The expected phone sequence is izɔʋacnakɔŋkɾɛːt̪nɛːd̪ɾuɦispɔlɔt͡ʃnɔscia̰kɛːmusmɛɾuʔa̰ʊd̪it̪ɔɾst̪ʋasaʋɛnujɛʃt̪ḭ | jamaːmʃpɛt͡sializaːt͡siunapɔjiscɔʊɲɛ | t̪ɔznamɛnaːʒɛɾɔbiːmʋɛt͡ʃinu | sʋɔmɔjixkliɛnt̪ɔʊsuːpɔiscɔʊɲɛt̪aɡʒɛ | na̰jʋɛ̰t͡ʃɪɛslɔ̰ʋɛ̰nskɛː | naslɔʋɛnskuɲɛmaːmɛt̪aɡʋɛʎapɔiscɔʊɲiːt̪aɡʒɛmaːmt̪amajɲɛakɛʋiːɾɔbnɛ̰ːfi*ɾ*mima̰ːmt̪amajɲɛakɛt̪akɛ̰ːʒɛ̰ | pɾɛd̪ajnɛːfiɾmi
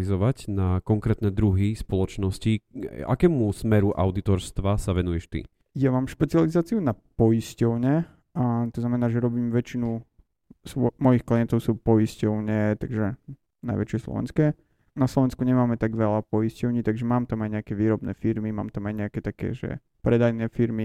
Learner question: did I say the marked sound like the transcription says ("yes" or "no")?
yes